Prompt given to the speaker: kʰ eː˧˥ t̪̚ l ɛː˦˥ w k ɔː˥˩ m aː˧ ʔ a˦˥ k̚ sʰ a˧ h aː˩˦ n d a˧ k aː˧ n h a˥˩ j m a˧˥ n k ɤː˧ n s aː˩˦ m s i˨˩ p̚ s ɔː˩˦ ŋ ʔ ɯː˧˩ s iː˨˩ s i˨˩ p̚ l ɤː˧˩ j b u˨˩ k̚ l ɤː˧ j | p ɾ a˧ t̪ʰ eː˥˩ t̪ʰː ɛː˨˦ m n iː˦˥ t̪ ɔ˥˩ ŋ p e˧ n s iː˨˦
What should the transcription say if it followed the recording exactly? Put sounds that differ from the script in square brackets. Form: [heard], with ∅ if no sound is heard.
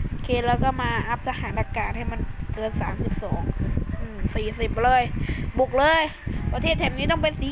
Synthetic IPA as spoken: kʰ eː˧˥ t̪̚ l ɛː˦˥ w k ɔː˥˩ m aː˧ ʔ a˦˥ [p̚] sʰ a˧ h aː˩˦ n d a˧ k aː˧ n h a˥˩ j m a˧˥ n k ɤː˧ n s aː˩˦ m s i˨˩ p̚ s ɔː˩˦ ŋ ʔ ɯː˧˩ s iː˨˩ s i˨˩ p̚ l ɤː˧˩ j b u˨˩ k̚ l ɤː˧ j | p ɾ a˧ t̪ʰ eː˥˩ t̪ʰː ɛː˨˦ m n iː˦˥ t̪ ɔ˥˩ ŋ p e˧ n s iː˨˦